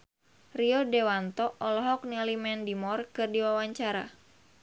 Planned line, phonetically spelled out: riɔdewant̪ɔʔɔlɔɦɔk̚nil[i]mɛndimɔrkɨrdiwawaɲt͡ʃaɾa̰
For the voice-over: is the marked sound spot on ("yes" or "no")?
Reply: yes